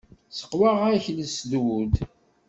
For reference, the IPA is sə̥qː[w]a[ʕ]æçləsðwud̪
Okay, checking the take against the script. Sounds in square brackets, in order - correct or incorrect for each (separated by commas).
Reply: correct, incorrect